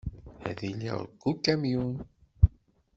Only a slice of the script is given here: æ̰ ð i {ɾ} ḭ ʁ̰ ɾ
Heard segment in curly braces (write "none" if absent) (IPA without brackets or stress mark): l